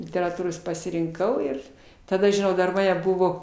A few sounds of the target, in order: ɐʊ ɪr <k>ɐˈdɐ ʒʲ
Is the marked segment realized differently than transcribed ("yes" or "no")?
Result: yes